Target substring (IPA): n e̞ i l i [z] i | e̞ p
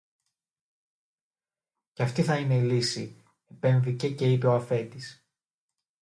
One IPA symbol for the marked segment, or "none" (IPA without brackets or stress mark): s